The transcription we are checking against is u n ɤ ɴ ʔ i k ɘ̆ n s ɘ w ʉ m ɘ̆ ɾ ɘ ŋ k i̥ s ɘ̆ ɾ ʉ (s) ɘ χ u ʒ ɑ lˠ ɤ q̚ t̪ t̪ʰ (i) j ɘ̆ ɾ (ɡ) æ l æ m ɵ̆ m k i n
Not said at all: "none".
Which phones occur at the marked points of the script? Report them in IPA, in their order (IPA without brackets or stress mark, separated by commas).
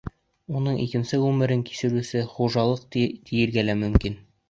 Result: s, i, ɡ